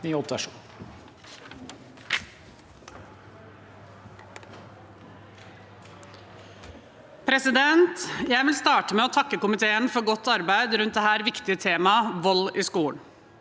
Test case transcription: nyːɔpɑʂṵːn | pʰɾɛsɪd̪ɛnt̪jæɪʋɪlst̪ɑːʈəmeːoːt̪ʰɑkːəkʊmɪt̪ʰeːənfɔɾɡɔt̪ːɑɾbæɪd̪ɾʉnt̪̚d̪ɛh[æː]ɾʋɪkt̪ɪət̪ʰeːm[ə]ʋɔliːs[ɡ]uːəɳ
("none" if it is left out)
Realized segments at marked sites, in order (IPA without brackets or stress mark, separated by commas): æː, ɑ, k